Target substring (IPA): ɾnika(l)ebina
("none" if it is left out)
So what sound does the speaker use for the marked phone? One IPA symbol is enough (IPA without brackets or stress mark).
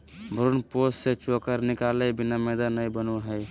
l